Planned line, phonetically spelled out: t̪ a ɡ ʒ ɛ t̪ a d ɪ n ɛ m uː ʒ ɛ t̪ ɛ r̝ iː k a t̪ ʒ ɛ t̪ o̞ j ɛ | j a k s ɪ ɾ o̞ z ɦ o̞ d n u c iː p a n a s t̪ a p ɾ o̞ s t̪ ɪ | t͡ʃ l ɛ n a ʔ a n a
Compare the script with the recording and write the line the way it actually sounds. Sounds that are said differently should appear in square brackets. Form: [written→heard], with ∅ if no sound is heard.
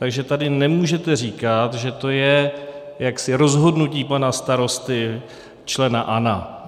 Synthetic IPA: t̪ a ɡ ʒ ɛ t̪ a d ɪ n ɛ m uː ʒ ɛ t̪ ɛ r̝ iː k a t̪ ʒ ɛ t̪ o̞ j ɛ | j a k s ɪ ɾ o̞ z ɦ o̞ d n u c iː p a n a s t̪ a [p→∅] ɾ o̞ s t̪ ɪ | t͡ʃ l ɛ n a ʔ a n a

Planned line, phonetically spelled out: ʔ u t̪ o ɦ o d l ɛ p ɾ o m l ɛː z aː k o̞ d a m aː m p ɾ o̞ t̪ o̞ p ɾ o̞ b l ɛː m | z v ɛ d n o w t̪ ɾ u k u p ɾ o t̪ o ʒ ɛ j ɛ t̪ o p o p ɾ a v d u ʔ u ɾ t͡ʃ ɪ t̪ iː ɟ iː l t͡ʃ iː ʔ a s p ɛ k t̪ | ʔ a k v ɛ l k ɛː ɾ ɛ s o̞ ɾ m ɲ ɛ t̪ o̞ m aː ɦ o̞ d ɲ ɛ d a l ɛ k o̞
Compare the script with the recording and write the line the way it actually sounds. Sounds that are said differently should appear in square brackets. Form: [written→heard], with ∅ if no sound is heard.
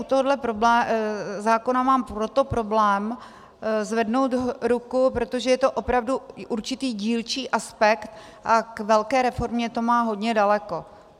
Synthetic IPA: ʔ u t̪ o ɦ o d l ɛ p ɾ o [m→b] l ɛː z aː k o̞ [d→n] a m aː m p ɾ o̞ t̪ o̞ p ɾ o̞ b l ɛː m | z v ɛ d n o w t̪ ɾ u k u p ɾ o t̪ o ʒ ɛ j ɛ t̪ o [p→ʔ] o p ɾ a v d u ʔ u ɾ t͡ʃ ɪ t̪ iː ɟ iː l t͡ʃ iː ʔ a s p ɛ k t̪ | ʔ a k v ɛ l k ɛː ɾ ɛ [s→f] o̞ ɾ m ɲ ɛ t̪ o̞ m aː ɦ o̞ d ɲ ɛ d a l ɛ k o̞

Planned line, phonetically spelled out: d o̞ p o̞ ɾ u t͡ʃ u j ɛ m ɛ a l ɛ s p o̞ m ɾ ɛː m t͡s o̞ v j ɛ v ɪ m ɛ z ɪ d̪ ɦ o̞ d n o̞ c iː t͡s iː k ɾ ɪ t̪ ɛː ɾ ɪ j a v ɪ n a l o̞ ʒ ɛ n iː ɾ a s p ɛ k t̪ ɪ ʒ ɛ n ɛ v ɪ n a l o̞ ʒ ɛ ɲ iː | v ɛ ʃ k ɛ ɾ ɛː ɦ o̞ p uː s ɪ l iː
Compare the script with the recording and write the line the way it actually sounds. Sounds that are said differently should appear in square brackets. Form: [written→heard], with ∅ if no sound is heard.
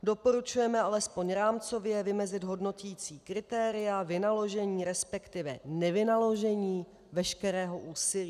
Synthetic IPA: d o̞ p o̞ ɾ u t͡ʃ u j ɛ m ɛ a l ɛ s p o̞ [m→ɲ] ɾ [ɛː→aː] m t͡s o̞ v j ɛ v ɪ m ɛ z ɪ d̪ ɦ o̞ d n o̞ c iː t͡s iː k ɾ ɪ t̪ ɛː ɾ ɪ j a v ɪ n a l o̞ ʒ ɛ [n→ɲ] iː ɾ [a→ɛ] s p ɛ k t̪ ɪ [ʒ→v] ɛ n ɛ v ɪ n a l o̞ ʒ ɛ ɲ iː | v ɛ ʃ k ɛ ɾ ɛː ɦ o̞ [p→ʔ] uː s ɪ l iː

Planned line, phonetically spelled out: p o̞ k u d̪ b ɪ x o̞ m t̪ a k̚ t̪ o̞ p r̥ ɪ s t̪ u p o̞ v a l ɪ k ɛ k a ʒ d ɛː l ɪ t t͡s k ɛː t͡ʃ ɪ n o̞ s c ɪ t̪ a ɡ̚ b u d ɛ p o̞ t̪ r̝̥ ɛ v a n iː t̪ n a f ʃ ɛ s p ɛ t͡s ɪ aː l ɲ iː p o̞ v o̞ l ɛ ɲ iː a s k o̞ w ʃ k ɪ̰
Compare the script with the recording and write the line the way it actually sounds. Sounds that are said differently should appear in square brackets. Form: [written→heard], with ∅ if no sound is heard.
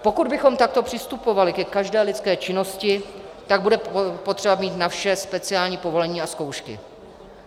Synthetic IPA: p o̞ k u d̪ b ɪ x o̞ m t̪ a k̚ t̪ o̞ p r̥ ɪ s t̪ u p o̞ v a l ɪ k ɛ k a ʒ d ɛː l ɪ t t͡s k ɛː t͡ʃ ɪ n o̞ s c ɪ t̪ a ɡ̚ b u d ɛ p o̞ t̪ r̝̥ ɛ [v→b] a [n→m] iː t̪ n a f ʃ ɛ s p ɛ t͡s ɪ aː l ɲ iː p o̞ v o̞ l ɛ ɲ iː a s k o̞ w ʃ k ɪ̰

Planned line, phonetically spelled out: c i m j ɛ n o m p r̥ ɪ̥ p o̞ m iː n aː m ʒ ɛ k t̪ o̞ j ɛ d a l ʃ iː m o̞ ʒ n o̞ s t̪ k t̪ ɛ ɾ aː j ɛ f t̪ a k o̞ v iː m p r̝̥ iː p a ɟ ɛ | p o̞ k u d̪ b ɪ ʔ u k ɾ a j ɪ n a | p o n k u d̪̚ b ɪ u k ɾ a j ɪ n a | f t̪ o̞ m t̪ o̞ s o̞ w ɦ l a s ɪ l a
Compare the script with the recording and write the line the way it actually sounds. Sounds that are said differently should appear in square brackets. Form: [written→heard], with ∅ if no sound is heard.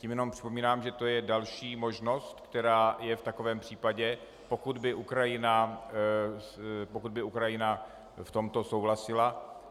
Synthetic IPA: c i m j ɛ n o m p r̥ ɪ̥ p o̞ m iː n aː m ʒ ɛ [k→∅] t̪ o̞ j ɛ d a l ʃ iː m o̞ ʒ n o̞ s t̪ k t̪ ɛ ɾ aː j ɛ f t̪ a k o̞ v [iː→ɛː] m p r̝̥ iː p a ɟ ɛ | p o̞ k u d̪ b ɪ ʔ u k ɾ a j ɪ n a | p o [n→∅] k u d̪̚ b ɪ u k ɾ a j ɪ n a | f t̪ o̞ m t̪ o̞ s o̞ w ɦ l a s ɪ l a

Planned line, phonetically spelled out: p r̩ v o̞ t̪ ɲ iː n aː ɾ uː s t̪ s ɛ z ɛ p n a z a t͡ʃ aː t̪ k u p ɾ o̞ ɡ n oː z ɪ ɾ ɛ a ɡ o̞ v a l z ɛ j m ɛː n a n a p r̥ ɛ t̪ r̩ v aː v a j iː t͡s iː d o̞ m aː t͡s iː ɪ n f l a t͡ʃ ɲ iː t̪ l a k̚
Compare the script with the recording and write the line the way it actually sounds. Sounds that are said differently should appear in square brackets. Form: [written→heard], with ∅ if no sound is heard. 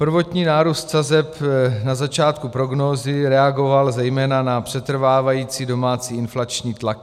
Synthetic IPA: p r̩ v o̞ t̪ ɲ iː n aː ɾ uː s t̪ s [ɛ→a] z ɛ p n a z a t͡ʃ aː t̪ k u p ɾ o̞ ɡ n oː z ɪ ɾ ɛ a ɡ o̞ v a l z ɛ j m ɛː n a n a p r̥ ɛ t̪ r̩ v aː v a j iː t͡s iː d o̞ m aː t͡s iː ɪ n f l a t͡ʃ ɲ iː t̪ l a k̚

